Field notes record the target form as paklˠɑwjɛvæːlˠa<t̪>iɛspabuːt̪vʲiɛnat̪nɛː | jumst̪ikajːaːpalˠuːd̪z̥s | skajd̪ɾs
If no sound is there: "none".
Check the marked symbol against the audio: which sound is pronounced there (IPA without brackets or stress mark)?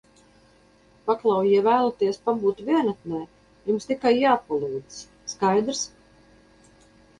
t̪